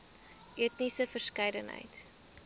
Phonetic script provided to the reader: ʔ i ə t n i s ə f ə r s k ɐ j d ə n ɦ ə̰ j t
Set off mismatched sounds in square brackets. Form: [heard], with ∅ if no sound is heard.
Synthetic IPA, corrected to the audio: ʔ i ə t n i s ə f ə r s k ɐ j d ə n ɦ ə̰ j t